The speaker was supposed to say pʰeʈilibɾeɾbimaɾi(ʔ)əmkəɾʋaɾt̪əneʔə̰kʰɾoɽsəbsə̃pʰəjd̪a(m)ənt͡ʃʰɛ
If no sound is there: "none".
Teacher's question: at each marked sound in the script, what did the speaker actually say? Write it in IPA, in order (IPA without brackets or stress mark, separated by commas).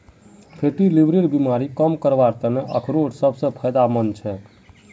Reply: k, m